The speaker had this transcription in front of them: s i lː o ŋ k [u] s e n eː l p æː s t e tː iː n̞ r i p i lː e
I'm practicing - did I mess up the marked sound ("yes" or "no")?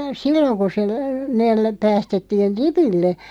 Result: no